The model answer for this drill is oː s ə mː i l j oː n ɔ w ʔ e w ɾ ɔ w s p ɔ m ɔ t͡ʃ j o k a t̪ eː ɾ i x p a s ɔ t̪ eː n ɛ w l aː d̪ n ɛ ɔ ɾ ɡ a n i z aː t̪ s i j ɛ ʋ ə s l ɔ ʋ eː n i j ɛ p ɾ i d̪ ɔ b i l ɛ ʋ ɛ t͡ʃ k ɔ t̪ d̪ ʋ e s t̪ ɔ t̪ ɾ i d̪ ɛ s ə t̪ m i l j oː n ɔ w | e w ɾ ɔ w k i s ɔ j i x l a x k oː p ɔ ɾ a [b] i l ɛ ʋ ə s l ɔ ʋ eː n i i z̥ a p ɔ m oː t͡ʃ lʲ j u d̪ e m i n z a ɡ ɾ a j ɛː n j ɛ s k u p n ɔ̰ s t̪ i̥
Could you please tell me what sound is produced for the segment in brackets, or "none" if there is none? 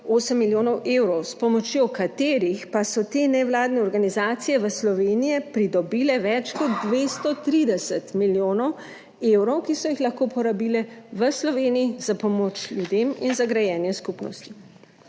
b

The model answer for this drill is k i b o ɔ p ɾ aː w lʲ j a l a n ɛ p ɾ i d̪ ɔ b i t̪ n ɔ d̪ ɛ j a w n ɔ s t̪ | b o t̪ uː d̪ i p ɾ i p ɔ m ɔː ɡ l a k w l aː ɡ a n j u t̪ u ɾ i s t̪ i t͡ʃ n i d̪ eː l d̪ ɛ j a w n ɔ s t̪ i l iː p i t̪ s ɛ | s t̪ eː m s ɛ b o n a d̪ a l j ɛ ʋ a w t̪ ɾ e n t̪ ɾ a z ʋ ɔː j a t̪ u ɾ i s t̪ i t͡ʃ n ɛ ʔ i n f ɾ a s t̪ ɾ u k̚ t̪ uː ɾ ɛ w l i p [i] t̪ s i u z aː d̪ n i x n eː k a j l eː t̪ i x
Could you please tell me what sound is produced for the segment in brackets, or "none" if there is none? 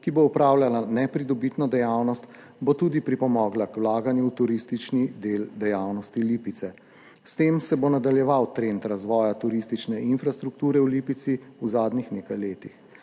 i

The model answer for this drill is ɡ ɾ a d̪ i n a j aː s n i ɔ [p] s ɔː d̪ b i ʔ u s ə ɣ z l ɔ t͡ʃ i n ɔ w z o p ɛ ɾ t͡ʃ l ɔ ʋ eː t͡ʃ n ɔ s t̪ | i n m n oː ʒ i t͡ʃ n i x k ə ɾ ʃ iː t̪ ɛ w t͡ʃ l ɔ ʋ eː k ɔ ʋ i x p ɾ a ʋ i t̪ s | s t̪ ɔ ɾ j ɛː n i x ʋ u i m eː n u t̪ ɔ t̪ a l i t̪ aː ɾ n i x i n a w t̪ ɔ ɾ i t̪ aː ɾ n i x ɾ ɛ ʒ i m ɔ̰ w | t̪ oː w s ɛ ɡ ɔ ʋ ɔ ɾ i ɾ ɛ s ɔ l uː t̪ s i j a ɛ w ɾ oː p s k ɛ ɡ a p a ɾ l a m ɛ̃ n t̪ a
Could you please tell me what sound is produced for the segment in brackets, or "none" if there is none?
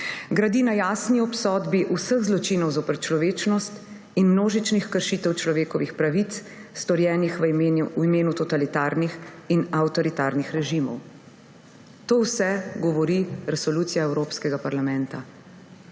p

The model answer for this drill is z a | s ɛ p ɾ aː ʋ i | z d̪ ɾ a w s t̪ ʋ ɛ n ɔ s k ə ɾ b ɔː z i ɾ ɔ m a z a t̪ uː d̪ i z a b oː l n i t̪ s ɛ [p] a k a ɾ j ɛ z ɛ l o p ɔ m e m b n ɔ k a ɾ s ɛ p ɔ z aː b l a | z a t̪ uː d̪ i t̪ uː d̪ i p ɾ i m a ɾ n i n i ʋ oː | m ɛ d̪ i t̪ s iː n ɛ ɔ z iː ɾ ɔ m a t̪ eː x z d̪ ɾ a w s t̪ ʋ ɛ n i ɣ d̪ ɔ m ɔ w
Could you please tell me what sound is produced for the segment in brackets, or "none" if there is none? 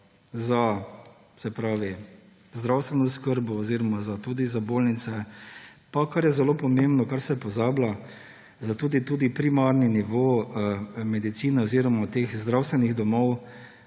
p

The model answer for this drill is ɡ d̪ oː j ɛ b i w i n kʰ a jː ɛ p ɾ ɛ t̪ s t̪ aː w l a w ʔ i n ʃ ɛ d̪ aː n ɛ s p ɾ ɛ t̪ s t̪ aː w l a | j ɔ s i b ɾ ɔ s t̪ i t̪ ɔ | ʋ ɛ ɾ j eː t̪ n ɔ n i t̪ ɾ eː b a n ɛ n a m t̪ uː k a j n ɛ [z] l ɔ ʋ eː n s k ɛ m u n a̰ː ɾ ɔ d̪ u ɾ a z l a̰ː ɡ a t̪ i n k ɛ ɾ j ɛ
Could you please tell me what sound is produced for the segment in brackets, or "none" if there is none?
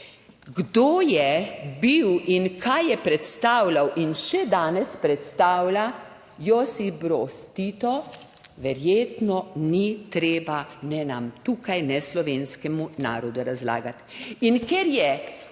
s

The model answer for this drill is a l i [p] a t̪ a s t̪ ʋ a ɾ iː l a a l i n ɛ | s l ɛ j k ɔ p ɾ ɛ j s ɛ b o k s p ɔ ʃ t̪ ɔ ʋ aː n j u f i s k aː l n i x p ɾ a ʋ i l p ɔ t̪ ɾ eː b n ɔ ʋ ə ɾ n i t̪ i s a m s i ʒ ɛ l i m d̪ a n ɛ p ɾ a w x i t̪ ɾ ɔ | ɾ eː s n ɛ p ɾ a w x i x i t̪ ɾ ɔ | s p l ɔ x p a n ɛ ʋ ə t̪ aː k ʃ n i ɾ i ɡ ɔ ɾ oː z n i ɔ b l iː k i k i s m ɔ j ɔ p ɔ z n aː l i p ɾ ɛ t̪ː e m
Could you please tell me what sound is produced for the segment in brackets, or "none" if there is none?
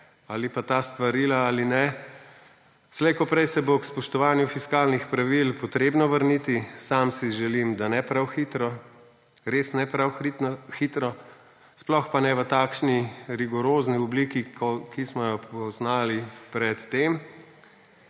p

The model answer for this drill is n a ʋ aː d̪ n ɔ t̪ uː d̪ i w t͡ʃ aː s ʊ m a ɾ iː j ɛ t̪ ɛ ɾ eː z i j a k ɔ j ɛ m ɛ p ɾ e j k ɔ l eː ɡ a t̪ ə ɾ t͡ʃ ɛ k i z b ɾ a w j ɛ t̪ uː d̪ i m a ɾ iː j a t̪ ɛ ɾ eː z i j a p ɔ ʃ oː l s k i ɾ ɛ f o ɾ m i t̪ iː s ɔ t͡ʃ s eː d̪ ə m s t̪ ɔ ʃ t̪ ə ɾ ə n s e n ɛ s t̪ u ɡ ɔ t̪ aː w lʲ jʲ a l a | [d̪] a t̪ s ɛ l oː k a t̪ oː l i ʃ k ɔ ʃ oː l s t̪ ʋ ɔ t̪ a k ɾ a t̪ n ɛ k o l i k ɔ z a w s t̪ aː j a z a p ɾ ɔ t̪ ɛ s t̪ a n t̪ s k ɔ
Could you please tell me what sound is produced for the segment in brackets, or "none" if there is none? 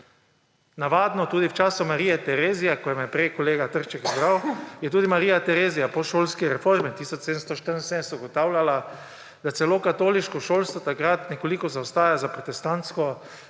d̪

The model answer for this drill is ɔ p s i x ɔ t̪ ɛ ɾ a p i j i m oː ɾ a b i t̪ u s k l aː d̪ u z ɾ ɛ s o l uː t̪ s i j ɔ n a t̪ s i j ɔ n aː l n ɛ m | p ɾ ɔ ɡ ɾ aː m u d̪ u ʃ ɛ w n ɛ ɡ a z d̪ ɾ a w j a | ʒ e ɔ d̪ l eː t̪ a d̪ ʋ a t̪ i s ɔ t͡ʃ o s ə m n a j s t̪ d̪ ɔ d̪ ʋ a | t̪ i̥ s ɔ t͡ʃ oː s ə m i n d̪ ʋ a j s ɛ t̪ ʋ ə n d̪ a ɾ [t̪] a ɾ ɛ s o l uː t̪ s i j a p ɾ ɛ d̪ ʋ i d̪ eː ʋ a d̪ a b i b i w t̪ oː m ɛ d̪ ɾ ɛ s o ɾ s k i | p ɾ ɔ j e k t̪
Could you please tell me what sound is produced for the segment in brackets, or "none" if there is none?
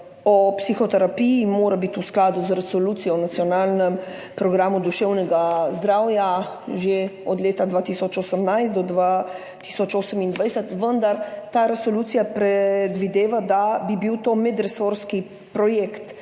t̪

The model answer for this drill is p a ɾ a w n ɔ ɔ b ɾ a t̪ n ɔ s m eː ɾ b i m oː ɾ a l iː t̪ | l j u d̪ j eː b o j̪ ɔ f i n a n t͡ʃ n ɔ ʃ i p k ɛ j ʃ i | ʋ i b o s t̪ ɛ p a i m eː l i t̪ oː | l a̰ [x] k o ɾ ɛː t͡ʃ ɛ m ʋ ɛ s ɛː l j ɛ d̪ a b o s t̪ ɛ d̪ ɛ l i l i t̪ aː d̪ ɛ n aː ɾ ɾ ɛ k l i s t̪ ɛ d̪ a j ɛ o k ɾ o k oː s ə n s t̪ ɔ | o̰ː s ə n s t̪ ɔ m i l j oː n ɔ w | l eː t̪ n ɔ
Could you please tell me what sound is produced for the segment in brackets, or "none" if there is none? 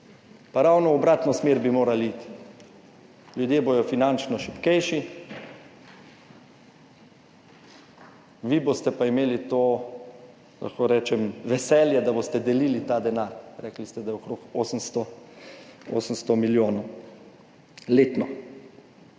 x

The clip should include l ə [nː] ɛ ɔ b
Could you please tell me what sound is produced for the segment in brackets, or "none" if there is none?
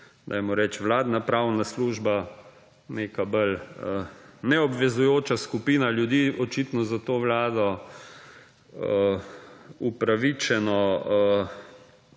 n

